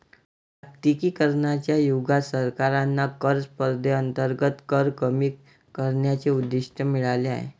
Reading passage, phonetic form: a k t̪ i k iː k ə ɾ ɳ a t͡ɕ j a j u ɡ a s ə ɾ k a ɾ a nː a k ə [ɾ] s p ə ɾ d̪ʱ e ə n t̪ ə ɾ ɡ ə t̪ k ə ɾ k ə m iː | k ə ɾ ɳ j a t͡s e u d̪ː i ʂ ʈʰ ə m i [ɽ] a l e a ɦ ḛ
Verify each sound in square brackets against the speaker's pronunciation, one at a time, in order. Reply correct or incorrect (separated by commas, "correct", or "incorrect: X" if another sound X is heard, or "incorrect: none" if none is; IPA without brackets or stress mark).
correct, incorrect: ɭ